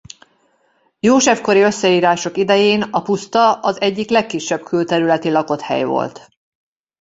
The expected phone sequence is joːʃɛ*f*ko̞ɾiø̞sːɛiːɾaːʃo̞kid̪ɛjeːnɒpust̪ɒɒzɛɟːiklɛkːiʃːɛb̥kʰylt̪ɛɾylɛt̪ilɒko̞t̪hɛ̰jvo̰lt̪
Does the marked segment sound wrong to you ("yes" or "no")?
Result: no